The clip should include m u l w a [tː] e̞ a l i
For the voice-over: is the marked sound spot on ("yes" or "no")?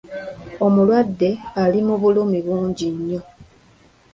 no